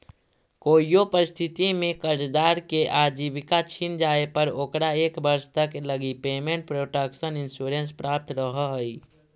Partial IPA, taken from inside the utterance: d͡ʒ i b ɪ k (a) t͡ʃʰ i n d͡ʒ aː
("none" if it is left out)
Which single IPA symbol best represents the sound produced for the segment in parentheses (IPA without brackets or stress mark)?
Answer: a